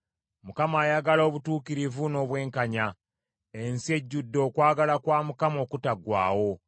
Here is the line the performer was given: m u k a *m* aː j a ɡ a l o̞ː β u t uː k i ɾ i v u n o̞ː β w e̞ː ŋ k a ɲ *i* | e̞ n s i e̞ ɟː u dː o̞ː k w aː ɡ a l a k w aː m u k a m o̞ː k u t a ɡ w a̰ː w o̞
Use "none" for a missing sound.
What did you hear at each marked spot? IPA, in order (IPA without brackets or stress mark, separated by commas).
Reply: m, a